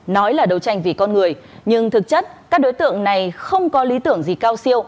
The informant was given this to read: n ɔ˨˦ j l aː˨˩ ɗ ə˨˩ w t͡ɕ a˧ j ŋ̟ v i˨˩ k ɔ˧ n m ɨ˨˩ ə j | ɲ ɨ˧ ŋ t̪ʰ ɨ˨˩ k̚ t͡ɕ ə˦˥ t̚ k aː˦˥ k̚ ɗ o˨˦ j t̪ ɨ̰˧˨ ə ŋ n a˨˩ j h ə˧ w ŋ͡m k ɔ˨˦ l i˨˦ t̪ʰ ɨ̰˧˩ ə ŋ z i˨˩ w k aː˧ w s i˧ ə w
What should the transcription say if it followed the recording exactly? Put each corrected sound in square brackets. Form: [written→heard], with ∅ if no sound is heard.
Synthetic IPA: n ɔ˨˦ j l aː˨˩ ɗ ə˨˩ w t͡ɕ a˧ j ŋ̟ v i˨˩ k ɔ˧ n [m→ŋ] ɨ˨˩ ə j | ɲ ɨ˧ ŋ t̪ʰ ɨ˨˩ k̚ t͡ɕ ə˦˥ t̚ k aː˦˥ k̚ ɗ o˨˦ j t̪ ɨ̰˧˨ ə ŋ n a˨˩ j [h→x] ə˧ w ŋ͡m k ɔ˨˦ l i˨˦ [t̪ʰ→t̪] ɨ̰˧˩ ə ŋ z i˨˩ [w→∅] k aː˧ w s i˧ ə w

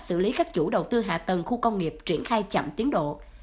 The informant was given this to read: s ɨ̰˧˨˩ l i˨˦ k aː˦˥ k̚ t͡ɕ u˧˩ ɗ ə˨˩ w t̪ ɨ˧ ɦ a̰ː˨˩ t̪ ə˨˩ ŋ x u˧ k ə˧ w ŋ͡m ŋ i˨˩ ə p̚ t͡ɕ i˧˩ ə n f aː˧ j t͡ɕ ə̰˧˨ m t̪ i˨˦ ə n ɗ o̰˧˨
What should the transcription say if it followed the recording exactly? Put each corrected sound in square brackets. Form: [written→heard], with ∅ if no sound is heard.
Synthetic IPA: s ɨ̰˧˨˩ l i˨˦ k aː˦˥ k̚ t͡ɕ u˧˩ ɗ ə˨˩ w t̪ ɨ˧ ɦ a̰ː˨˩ t̪ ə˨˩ ŋ x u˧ k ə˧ w ŋ͡m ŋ i˨˩ ə p̚ t͡ɕ i˧˩ ə n [f→x] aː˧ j t͡ɕ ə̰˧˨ m t̪ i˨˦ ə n ɗ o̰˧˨

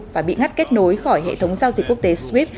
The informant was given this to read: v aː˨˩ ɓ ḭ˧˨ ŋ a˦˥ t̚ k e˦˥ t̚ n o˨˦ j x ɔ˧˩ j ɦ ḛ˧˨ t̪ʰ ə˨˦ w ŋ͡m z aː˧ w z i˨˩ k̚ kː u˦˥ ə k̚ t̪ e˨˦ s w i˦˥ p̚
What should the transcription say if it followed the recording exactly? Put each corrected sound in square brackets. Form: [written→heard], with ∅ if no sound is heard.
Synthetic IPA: v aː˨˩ ɓ ḭ˧˨ ŋ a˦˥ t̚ k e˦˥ t̚ n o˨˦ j x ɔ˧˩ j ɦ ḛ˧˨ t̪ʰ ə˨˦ w ŋ͡m z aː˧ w z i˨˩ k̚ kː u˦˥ ə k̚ t̪ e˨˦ s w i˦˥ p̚

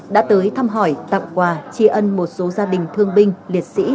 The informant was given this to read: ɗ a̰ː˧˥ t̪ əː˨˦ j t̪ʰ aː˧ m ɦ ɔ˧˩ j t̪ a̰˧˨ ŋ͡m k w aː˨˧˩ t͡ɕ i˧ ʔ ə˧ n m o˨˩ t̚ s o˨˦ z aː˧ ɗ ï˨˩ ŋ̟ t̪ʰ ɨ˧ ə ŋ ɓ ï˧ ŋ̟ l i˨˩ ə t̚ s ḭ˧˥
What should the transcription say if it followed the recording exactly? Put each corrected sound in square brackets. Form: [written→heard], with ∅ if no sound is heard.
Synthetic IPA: ɗ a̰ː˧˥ t̪ əː˨˦ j t̪ʰ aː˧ m ɦ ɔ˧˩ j t̪ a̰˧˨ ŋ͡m k w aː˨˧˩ t͡ɕ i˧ ʔ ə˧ n m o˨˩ t̚ s o˨˦ z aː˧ ɗ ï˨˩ ŋ̟ t̪ʰ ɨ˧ ə ŋ ɓ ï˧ ŋ̟ l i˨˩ ə t̚ s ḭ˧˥

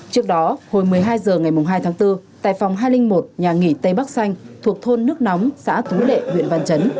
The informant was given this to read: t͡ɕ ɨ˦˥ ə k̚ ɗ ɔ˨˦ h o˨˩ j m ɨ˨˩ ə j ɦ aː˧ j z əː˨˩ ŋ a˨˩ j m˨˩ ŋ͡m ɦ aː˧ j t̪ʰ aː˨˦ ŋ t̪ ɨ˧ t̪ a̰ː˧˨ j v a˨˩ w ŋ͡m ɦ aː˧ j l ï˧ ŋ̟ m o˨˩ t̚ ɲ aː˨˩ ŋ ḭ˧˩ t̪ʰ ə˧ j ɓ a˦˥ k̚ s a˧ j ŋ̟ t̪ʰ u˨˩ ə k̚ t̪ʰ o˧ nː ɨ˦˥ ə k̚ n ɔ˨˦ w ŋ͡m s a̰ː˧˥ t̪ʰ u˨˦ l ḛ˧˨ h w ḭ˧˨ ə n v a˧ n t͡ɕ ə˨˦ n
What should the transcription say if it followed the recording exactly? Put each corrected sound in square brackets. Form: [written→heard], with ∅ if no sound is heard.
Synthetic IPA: t͡ɕ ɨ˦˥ ə k̚ ɗ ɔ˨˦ h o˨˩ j m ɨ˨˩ ə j ɦ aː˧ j z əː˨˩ ŋ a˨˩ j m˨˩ ŋ͡m ɦ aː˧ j t̪ʰ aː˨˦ ŋ t̪ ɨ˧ t̪ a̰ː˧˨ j [v→f] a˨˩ w ŋ͡m ɦ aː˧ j l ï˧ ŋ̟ m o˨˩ t̚ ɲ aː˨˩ ŋ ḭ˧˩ [t̪ʰ→t̪] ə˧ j ɓ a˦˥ k̚ s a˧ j ŋ̟ t̪ʰ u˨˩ ə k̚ t̪ʰ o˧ nː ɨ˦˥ ə k̚ n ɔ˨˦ w ŋ͡m s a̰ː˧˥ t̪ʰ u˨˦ l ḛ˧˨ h w ḭ˧˨ ə n v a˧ n t͡ɕ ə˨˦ n

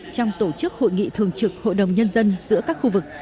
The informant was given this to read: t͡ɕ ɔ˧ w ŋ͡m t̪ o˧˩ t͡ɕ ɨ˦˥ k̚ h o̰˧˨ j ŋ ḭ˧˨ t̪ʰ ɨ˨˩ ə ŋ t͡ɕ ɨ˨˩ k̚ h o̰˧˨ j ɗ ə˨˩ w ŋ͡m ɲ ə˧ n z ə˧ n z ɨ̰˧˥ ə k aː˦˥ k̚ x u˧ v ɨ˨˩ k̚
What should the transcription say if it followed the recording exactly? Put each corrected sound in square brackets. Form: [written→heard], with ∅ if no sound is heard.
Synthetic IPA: t͡ɕ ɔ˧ w ŋ͡m t̪ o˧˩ t͡ɕ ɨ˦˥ k̚ h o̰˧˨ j ŋ ḭ˧˨ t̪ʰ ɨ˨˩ ə ŋ t͡ɕ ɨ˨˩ k̚ h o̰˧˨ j ɗ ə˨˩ w ŋ͡m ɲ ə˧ n z ə˧ n z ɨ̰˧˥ ə k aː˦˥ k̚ x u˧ v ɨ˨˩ k̚

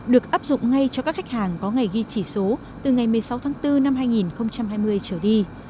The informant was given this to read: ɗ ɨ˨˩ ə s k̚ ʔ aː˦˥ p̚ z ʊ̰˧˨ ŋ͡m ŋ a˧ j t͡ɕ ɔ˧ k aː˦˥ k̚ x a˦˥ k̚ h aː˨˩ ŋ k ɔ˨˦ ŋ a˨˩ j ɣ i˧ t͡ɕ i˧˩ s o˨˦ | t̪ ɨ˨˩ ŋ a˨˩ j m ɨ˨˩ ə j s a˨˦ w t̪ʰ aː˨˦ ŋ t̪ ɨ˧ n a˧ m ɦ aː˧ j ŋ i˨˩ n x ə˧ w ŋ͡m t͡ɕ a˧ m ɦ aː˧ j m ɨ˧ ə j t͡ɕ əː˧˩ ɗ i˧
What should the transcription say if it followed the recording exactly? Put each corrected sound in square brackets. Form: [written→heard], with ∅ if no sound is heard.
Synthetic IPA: ɗ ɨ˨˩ ə [s→∅] k̚ ʔ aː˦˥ p̚ z ʊ̰˧˨ ŋ͡m ŋ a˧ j t͡ɕ ɔ˧ k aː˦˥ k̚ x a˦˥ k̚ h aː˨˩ ŋ k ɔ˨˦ ŋ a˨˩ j ɣ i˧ t͡ɕ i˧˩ s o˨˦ | t̪ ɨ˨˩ ŋ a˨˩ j m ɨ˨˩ ə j s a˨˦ w t̪ʰ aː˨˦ ŋ t̪ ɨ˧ n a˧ m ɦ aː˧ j ŋ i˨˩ n x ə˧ w ŋ͡m t͡ɕ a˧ m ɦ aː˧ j m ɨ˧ ə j t͡ɕ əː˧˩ ɗ i˧

